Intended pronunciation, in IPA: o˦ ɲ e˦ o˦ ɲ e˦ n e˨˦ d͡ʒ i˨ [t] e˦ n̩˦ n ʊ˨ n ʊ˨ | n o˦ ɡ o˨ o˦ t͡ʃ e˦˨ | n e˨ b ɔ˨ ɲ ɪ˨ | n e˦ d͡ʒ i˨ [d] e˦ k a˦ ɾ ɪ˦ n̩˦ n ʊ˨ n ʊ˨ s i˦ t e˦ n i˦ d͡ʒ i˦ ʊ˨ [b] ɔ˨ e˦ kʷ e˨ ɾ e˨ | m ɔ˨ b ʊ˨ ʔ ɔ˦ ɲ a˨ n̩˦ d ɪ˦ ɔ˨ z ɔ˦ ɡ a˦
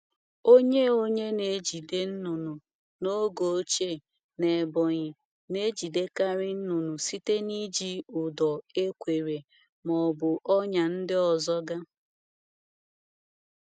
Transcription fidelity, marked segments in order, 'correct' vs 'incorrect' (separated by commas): incorrect, correct, incorrect